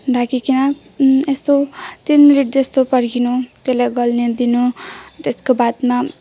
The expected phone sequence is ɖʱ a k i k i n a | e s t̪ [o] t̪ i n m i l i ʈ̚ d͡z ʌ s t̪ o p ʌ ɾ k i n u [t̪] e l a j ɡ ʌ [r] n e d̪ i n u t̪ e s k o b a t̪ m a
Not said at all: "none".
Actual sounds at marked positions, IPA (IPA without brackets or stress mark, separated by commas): o, t̪, l